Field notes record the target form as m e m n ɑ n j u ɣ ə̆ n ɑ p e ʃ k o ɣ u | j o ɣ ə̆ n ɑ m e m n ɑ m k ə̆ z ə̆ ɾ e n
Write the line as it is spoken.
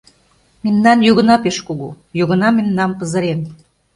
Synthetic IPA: m e m n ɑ n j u ɣ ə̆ n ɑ p e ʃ k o ɣ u | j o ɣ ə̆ n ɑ m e m n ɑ m p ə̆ z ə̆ ɾ e n